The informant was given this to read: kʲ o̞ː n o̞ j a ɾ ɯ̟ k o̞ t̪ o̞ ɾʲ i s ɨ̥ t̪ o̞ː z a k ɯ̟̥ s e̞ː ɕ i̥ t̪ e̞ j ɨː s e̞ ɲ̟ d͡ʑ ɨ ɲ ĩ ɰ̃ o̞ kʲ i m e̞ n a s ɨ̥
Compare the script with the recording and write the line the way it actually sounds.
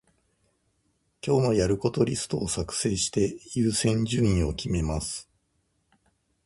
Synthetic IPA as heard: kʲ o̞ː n o̞ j a ɾ ɯ̟ k o̞ t̪ o̞ ɾʲ i s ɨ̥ t̪ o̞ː s a k ɯ̟̥ s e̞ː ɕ i̥ t̪ e̞ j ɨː s ẽ̞ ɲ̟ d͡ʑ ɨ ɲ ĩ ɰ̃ o̞ kʲ i m e̞ m a s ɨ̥